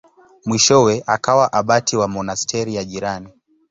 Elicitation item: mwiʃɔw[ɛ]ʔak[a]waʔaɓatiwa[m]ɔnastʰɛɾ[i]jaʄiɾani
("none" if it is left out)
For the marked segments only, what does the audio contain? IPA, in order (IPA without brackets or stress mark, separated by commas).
ɛ, a, m, i